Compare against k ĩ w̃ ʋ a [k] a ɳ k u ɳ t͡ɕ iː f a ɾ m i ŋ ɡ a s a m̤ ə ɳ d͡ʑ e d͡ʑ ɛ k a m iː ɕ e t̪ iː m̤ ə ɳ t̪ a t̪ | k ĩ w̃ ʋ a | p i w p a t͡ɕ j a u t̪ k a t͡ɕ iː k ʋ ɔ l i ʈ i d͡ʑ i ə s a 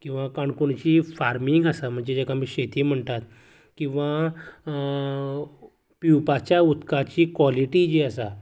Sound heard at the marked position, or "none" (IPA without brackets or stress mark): k